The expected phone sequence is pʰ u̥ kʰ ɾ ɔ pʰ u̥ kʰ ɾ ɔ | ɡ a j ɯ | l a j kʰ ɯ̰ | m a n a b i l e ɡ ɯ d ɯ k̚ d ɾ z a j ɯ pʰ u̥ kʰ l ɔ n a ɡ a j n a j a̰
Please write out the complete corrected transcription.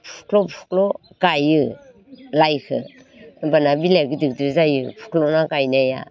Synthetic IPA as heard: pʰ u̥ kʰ l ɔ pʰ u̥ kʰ l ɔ | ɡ a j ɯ | l a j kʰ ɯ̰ | b a n a b i l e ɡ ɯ d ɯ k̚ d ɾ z a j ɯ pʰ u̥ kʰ l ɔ n a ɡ a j n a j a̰